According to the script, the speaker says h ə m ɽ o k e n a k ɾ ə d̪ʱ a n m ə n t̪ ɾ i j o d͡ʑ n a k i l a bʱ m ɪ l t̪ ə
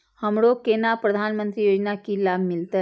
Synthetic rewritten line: h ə m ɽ o k e n a p ɾ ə d̪ʱ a n m ə n t̪ ɾ i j o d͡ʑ n a k i l a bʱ m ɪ l t̪ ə